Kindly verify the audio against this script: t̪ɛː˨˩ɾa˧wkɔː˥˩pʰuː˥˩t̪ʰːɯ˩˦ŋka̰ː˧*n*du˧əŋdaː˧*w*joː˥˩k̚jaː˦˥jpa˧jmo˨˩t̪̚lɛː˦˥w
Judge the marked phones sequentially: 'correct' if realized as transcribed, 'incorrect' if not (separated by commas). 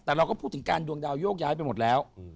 correct, correct